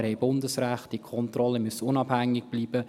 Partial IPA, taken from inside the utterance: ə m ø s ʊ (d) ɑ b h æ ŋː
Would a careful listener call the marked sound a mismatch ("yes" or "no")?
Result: yes